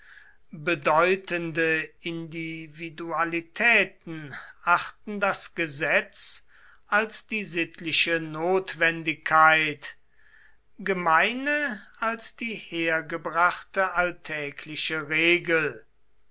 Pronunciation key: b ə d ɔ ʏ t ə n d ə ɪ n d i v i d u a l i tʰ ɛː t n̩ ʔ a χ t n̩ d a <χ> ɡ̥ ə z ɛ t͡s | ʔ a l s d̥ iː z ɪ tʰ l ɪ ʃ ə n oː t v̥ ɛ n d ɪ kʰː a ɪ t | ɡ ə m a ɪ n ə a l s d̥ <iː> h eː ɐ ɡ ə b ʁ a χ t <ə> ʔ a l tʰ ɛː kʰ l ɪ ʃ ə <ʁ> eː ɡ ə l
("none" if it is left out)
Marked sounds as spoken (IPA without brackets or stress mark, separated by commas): s, iː, ə, ʁ